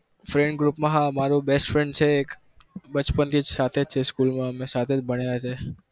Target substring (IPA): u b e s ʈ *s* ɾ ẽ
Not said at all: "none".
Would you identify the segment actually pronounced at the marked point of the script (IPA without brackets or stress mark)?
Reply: f